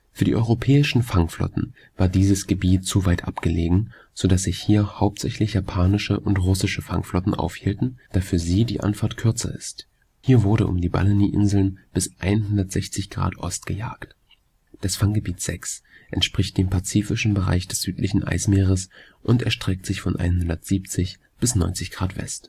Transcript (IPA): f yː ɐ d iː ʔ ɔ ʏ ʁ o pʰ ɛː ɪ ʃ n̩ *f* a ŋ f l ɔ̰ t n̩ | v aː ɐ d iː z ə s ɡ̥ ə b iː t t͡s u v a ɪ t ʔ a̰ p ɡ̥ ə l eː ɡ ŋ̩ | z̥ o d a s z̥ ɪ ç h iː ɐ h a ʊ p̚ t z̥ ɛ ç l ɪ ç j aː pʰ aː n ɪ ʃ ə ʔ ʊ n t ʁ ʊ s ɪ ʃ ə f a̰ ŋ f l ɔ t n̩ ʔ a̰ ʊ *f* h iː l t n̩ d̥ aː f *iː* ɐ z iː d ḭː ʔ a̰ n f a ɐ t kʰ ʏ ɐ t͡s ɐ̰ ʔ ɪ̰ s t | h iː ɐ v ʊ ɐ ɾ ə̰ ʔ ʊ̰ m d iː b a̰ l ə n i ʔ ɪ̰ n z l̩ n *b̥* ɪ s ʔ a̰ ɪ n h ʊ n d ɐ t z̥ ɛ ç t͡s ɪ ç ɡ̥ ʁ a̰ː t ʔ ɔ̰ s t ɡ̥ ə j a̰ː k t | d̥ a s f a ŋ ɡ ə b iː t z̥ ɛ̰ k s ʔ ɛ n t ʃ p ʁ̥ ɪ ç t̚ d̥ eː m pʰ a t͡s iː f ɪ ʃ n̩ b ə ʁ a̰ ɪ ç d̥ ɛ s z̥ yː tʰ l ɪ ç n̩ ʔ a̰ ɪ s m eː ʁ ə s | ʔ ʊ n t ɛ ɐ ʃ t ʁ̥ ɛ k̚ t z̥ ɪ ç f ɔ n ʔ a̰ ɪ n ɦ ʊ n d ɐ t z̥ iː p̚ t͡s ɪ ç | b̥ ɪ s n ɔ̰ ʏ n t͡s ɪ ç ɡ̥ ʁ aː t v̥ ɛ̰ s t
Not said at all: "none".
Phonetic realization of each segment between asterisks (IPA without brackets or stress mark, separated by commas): f, f, yː, b̥